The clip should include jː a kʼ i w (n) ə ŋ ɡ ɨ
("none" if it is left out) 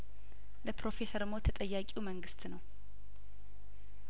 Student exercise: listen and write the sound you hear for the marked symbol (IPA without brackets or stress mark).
m